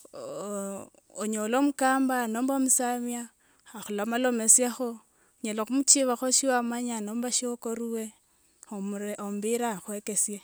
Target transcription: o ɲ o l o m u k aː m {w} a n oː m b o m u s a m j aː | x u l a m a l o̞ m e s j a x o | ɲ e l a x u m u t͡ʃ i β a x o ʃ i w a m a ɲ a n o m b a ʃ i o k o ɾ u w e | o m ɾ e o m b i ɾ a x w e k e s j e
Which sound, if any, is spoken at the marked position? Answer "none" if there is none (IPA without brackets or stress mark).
b